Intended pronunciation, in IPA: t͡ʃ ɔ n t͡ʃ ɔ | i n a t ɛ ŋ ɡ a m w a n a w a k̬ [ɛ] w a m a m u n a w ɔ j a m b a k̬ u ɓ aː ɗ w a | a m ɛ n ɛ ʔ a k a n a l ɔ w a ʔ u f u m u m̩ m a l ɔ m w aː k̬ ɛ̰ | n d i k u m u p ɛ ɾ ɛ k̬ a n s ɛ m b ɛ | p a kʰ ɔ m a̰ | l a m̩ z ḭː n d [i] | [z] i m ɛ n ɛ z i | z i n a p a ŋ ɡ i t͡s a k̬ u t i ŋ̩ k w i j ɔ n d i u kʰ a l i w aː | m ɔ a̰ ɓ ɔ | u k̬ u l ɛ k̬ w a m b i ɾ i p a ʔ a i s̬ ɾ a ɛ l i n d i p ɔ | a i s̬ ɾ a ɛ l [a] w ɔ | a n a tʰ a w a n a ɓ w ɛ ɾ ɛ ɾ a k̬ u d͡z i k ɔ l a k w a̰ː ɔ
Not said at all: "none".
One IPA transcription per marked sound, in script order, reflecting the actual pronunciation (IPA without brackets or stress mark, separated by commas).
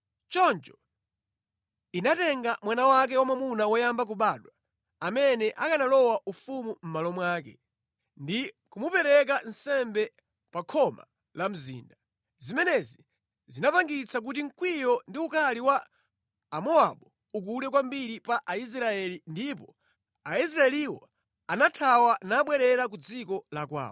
ɛ, a, z, i